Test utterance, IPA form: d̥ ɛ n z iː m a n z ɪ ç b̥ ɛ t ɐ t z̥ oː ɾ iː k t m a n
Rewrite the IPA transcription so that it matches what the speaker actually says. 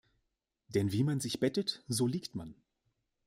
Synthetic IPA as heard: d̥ ɛ n v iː m a n z ɪ ç b̥ ɛ t ə t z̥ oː l iː k t m a n